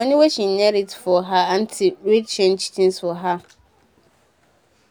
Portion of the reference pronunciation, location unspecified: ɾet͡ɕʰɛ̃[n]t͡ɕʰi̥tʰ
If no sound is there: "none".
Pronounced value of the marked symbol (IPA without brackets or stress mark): n